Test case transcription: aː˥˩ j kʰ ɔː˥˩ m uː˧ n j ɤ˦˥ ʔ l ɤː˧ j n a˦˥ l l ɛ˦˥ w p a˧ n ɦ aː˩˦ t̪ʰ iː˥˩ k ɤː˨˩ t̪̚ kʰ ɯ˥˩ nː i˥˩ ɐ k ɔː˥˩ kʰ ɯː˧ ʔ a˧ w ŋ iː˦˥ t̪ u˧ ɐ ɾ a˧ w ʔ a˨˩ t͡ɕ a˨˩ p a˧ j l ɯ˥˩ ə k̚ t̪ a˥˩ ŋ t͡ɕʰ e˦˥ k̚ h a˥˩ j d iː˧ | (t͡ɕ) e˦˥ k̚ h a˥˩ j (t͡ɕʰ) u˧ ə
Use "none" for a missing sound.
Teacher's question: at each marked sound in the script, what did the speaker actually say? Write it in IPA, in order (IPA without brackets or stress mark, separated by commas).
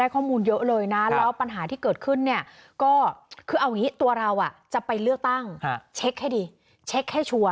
t͡ɕʰ, t͡ɕʰ